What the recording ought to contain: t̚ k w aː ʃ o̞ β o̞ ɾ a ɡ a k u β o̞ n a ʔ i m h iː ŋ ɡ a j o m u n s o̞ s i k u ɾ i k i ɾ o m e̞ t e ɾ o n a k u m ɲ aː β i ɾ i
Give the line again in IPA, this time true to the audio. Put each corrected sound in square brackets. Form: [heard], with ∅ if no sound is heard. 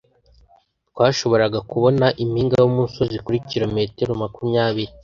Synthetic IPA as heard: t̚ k w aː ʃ o̞ β o̞ ɾ a ɡ a k u β o̞ n a ʔ i m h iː ŋ ɡ a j o m u n s o̞ [z] i k u ɾ i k i ɾ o m e̞ t e ɾ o [m] a k u m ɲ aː β i ɾ i